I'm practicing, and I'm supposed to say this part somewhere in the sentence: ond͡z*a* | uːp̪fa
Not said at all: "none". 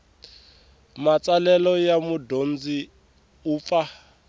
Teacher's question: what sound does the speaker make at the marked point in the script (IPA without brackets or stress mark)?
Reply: i